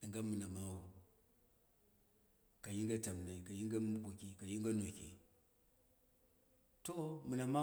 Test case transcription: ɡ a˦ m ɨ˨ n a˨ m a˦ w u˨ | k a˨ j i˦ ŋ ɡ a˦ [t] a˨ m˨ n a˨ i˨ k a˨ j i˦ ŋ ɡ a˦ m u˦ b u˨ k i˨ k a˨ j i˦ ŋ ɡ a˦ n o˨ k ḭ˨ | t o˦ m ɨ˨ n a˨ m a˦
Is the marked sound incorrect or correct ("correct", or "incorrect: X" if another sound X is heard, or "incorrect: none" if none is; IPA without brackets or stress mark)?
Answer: correct